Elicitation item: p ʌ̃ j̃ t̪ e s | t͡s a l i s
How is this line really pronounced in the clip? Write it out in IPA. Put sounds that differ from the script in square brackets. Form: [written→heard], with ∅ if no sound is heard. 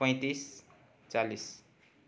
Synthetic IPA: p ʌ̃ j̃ t̪ [e→i] s | t͡s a l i s